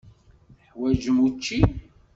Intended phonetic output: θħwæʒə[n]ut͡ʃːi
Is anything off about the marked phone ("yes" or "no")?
yes